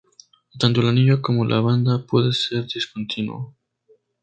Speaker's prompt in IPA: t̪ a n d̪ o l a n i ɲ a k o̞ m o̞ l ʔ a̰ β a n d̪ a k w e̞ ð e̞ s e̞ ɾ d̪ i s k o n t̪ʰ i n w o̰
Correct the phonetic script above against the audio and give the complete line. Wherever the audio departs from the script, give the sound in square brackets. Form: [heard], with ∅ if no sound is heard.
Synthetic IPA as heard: t̪ a n [t̪] o l a n i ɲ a k o̞ m o̞ l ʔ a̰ β a n d̪ a [p] w e̞ ð e̞ s e̞ ɾ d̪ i s k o n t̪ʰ i n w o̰